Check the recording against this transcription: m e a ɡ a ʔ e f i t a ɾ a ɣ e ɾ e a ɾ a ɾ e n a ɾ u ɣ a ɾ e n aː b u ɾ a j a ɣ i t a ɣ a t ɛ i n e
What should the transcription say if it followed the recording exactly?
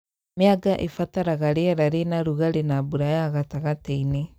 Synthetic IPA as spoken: m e a ɡ a ʔ e f a t a ɾ a ɣ a ɾ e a ɾ a ɾ e n a ɾ u ɣ a ɾ e n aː b u ɾ a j a ɣ a t a ɣ a t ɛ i n e